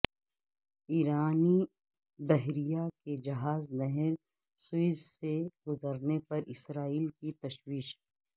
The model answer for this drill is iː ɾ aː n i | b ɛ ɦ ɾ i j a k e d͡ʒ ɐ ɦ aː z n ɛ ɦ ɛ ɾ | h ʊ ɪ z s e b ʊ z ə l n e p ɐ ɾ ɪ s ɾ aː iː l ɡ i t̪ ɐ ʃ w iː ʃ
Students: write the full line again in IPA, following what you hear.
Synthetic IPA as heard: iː ɾ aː n i | b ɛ ɦ ɾ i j a k e d͡ʒ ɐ ɦ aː z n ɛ ɦ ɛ ɾ | s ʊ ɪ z s e ɡ ʊ z ə ɾ n e p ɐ ɾ ɪ s ɾ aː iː l k i t̪ ɐ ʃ w iː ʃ